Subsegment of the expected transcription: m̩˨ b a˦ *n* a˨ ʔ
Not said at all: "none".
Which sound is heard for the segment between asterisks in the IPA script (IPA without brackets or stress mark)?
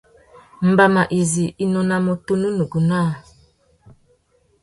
m